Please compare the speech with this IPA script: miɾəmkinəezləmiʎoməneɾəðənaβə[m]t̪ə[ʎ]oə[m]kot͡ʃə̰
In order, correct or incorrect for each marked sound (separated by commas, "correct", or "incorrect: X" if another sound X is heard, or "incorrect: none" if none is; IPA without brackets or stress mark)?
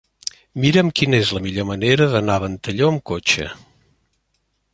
incorrect: n, correct, correct